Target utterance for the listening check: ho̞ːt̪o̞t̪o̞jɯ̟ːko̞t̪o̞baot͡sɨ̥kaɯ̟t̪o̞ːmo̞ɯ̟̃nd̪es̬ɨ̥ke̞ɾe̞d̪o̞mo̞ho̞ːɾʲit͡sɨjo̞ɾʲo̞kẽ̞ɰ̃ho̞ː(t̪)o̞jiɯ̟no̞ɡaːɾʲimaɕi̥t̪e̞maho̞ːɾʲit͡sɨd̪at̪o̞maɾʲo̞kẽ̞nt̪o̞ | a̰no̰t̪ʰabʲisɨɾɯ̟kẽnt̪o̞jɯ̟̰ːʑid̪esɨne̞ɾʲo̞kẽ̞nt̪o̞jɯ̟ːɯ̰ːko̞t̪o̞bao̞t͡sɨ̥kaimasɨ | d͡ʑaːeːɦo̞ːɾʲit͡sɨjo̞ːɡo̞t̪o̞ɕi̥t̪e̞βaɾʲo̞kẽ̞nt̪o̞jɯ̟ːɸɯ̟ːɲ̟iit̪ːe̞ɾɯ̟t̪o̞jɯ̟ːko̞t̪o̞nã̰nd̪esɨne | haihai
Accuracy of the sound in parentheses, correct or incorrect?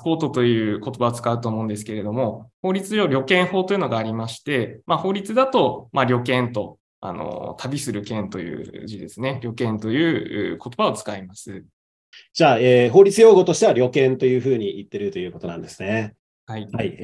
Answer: correct